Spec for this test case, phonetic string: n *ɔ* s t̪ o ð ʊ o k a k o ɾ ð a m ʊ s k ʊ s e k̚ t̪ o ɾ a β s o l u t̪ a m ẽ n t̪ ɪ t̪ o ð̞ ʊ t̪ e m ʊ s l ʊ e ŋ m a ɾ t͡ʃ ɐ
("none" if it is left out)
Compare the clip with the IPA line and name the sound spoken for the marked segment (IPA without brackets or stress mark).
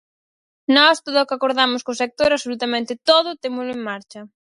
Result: ɔ